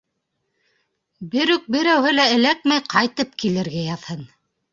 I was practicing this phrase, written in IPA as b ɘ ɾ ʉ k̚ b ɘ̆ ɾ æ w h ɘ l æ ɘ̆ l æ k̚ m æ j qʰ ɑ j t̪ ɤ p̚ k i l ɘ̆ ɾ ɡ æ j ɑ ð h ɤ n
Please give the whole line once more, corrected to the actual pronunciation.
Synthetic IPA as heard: b ɘ ɾ ʉ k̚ b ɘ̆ ɾ æ w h ɘ l æ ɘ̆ l æ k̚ m æ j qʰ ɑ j t̪ ɤ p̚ k i l ɘ̆ ɾ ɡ æ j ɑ ð h ɤ n